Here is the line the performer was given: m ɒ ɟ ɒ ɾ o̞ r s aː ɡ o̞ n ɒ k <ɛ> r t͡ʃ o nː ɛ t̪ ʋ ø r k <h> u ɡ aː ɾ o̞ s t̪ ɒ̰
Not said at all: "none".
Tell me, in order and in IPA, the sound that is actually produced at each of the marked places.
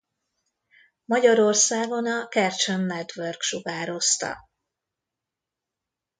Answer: ɛ, ʃ

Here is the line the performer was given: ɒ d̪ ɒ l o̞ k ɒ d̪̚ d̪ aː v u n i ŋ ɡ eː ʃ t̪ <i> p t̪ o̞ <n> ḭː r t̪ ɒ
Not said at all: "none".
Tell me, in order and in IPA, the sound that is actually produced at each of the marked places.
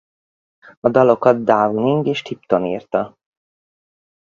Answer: i, n

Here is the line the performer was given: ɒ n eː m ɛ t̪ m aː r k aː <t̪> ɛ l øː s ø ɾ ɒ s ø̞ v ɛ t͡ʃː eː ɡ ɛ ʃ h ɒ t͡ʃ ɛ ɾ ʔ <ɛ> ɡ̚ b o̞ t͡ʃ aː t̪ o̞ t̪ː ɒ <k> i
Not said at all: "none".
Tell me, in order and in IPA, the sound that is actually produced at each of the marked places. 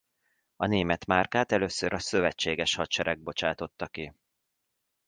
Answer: t̪, ɛ, k

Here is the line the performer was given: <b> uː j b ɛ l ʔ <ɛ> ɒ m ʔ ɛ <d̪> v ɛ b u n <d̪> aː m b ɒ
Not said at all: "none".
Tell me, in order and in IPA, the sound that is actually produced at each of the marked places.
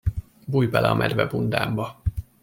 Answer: b, ɛ, d̪, d̪

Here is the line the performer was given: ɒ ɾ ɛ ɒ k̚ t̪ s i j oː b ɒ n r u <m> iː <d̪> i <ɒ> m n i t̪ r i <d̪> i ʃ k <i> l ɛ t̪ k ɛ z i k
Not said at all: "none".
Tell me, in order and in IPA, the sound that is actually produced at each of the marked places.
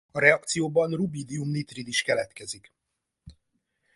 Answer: b, d̪, u, d̪, ɛ

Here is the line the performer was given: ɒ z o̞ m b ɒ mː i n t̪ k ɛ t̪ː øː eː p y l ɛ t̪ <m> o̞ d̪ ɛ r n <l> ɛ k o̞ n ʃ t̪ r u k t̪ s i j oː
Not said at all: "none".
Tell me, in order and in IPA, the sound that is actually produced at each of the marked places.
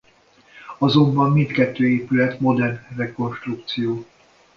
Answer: m, r

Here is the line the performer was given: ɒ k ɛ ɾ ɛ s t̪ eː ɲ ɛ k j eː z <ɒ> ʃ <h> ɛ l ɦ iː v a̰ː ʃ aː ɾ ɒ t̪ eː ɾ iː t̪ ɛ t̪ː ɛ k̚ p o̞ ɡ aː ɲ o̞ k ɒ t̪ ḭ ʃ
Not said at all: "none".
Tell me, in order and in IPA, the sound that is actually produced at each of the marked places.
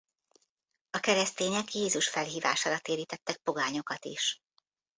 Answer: u, f

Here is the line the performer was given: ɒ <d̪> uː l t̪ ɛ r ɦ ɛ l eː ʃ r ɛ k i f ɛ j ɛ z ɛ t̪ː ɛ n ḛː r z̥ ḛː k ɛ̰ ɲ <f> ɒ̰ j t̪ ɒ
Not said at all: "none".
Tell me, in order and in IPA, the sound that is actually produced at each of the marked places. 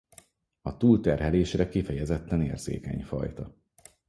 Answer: t̪, f

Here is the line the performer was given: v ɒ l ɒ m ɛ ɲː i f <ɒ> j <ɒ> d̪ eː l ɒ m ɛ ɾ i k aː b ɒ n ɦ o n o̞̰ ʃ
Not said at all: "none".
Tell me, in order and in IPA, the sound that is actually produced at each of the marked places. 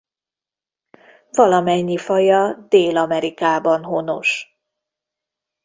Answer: ɒ, ɒ

